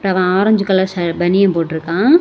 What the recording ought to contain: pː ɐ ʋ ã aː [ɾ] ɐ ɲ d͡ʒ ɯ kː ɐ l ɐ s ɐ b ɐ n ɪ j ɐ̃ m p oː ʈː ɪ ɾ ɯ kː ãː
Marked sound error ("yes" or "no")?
no